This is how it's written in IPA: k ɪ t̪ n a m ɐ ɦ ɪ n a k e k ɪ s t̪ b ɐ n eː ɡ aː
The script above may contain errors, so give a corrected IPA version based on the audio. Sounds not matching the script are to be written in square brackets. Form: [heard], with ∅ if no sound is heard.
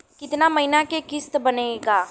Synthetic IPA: k ɪ t̪ n a m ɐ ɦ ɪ n a k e k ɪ s t̪ b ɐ n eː ɡ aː